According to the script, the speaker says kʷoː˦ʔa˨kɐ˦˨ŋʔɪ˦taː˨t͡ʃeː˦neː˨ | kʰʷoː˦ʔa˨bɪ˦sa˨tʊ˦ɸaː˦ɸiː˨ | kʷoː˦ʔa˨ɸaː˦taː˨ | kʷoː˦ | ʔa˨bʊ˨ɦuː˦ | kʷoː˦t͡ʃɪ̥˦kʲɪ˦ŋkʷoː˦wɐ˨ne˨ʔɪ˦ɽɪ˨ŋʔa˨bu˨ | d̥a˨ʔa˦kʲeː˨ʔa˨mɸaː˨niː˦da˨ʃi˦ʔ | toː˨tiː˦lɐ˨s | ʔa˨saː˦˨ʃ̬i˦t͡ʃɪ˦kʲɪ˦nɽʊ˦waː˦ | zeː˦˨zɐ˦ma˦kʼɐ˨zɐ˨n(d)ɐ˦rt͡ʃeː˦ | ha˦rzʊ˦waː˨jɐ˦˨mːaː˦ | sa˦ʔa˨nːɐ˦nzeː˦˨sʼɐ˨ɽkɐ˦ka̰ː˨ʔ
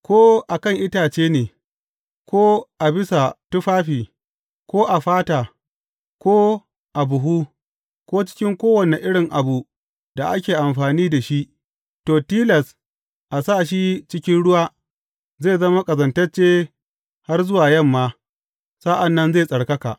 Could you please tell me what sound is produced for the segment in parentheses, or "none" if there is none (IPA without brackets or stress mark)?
t